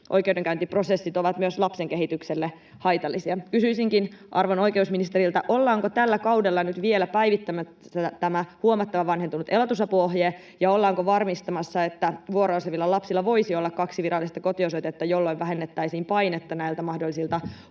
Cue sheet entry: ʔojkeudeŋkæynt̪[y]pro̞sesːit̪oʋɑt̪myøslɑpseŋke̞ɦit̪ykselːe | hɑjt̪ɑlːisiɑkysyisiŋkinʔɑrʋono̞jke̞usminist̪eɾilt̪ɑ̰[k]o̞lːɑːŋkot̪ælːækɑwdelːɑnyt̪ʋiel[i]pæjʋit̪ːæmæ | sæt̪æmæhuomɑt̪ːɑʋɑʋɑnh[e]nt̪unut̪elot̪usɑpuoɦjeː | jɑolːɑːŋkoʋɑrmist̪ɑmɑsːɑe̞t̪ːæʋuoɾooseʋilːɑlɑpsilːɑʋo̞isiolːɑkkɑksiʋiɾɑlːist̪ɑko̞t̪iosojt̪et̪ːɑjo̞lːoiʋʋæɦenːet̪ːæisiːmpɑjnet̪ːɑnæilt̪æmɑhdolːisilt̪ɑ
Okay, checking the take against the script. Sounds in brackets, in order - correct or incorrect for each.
incorrect, incorrect, incorrect, correct

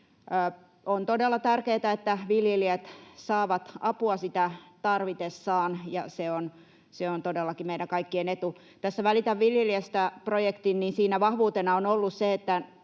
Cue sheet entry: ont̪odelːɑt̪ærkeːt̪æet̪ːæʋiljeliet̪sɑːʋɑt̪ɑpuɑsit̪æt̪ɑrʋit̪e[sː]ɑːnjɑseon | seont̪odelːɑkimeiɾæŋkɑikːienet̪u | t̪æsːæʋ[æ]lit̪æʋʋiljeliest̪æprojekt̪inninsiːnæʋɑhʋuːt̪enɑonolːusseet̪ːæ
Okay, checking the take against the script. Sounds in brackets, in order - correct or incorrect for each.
correct, correct

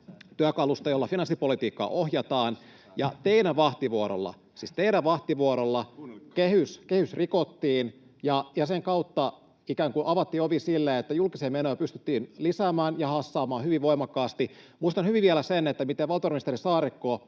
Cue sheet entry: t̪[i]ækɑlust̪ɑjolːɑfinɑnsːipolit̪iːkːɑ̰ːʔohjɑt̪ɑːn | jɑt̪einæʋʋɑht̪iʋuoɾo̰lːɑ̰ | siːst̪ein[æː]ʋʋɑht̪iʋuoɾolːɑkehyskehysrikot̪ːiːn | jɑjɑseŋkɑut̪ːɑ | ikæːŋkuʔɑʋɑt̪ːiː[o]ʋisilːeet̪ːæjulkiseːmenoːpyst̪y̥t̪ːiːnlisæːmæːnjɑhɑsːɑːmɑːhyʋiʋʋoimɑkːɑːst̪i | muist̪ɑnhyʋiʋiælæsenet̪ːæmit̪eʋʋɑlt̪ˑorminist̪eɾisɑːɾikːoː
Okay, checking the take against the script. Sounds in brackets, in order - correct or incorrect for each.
incorrect, incorrect, correct

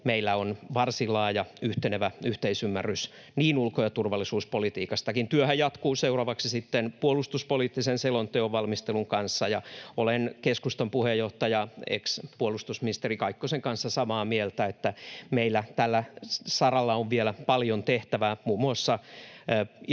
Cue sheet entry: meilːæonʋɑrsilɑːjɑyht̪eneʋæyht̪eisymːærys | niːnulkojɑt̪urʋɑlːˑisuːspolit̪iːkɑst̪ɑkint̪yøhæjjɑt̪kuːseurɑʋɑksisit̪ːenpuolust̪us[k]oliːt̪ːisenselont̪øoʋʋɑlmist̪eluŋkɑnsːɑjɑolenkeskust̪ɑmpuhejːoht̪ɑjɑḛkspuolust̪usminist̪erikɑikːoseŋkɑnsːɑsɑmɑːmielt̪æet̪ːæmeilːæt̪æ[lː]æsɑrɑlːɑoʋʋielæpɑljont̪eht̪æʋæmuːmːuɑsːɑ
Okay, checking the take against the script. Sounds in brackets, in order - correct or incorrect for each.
incorrect, correct

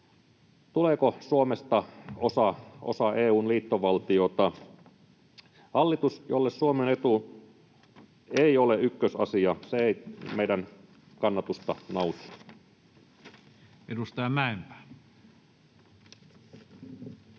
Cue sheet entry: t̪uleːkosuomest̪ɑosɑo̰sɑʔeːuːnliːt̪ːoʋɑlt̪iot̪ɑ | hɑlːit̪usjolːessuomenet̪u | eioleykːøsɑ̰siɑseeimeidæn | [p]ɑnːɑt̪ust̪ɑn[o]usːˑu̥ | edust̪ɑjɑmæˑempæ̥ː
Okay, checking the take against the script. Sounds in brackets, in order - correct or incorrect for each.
incorrect, correct

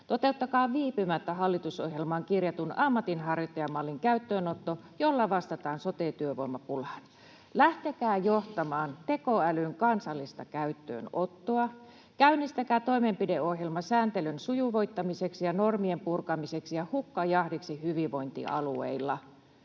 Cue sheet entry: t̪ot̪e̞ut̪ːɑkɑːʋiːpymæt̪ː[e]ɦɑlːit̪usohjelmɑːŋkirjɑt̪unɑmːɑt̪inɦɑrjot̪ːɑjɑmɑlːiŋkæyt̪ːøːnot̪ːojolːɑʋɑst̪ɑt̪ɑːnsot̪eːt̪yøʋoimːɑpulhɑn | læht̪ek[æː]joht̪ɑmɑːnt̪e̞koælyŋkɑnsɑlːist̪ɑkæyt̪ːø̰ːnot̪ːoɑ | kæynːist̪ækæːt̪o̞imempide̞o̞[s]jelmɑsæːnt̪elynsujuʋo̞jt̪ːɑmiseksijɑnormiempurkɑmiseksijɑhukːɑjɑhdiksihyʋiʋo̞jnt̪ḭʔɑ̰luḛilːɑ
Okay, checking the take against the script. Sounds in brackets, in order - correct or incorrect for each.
incorrect, correct, incorrect

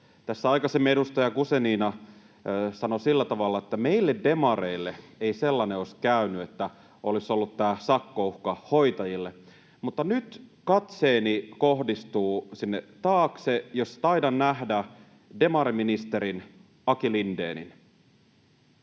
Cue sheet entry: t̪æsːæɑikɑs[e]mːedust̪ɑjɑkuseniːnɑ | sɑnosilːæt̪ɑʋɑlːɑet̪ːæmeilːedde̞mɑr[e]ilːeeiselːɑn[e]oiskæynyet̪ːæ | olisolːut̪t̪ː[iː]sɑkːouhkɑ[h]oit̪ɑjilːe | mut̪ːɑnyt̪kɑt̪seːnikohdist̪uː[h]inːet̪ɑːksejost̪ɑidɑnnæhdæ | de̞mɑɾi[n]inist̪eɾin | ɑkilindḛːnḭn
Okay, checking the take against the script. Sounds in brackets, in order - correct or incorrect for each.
correct, correct, correct, incorrect, correct, incorrect, incorrect

